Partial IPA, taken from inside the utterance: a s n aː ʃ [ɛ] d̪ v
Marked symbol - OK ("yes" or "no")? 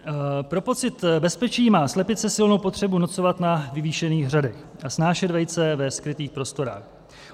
yes